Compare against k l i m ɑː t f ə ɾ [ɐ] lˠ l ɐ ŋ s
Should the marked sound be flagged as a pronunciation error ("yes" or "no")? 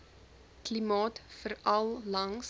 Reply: no